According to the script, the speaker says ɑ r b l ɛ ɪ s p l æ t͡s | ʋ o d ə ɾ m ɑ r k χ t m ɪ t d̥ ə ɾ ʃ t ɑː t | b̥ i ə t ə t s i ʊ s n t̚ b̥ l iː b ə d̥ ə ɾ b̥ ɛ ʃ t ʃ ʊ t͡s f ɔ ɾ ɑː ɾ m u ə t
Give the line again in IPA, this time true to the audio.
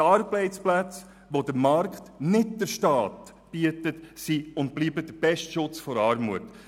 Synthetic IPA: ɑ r b l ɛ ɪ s p l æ t͡s | ʋ o d ə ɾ m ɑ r k χ t n ɪ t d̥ ə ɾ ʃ t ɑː t | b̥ i ə t ə t s i ʊ n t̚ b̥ l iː b ə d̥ ə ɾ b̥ ɛ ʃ t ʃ ʊ t͡s f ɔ ɾ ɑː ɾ m u ə t